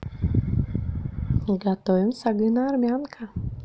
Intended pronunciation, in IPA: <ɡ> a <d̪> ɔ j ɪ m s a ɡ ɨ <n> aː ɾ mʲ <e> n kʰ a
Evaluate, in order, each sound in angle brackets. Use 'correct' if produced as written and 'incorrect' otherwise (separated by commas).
correct, incorrect, correct, incorrect